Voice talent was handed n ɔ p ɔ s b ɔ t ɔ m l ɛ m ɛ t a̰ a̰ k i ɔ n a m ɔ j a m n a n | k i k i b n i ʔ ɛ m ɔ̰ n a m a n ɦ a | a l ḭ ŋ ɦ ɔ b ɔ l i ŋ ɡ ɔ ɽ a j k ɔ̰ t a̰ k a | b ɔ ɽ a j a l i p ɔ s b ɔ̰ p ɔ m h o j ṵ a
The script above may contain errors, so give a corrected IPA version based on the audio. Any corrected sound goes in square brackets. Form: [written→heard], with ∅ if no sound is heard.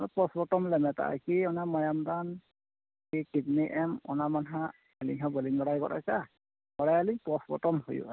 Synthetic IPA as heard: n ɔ p ɔ s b ɔ t ɔ m l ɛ m ɛ t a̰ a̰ k i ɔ n a m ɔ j a m [n→d] a n | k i k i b n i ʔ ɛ m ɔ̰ n a m a n ɦ a | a l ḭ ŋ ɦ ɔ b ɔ l i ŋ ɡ ɔ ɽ a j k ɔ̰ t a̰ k a | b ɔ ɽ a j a l i p ɔ s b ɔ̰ [p→t] ɔ m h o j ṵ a